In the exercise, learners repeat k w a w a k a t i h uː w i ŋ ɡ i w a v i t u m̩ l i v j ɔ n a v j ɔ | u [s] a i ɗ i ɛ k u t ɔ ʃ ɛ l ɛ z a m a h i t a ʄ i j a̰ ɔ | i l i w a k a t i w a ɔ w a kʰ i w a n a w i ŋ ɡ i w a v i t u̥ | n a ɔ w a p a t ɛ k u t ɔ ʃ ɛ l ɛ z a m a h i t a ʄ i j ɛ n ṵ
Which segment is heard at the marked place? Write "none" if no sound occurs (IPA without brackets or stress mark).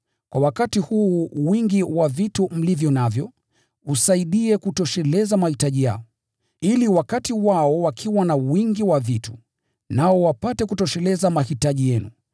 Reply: s